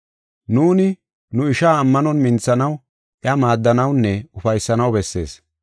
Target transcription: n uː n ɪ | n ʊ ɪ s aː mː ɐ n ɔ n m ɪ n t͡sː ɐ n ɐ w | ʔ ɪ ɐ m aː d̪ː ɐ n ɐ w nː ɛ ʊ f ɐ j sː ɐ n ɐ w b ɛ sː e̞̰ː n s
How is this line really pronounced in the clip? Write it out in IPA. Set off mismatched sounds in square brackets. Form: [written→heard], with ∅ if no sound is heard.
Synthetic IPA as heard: n uː n ɪ | n ʊ ɪ [s→ʃ] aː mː ɐ n ɔ n m ɪ n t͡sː ɐ n ɐ w | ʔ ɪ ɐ m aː d̪ː ɐ n ɐ w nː ɛ ʊ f ɐ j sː ɐ n ɐ w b ɛ sː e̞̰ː [n→∅] s